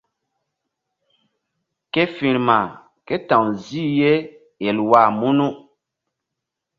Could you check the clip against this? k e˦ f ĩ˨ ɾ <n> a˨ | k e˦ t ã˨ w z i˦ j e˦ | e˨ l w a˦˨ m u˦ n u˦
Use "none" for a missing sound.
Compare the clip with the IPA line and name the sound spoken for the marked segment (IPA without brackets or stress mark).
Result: m